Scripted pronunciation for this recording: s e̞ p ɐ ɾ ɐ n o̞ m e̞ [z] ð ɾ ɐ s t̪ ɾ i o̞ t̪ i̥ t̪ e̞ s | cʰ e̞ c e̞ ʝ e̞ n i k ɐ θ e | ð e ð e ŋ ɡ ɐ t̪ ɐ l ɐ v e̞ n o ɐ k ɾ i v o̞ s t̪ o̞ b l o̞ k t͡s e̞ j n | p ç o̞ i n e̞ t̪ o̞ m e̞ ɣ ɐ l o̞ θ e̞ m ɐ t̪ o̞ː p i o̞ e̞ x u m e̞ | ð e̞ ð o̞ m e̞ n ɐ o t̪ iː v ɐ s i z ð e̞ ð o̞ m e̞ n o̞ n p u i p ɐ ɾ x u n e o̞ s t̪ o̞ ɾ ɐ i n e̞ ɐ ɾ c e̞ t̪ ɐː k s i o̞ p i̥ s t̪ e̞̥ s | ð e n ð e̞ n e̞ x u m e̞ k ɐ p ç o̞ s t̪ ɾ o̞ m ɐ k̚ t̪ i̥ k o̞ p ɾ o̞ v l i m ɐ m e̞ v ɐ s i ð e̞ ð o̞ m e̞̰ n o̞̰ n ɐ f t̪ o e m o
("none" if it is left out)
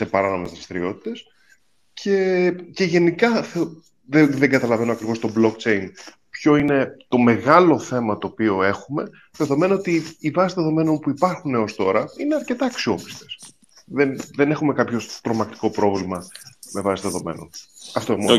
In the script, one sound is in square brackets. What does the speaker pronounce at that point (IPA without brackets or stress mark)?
z